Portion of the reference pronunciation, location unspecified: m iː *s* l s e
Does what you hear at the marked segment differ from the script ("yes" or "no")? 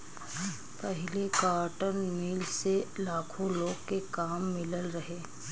yes